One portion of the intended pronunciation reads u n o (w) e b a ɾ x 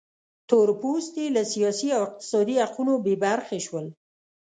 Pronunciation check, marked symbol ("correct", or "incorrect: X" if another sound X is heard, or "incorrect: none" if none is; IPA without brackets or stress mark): incorrect: b